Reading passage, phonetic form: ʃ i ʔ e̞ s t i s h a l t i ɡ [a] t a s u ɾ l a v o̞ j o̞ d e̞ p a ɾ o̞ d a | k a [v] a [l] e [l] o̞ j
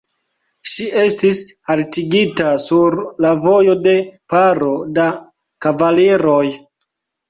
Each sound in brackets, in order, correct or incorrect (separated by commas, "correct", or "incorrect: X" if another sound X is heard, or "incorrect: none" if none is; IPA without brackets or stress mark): incorrect: i, correct, correct, incorrect: ɾ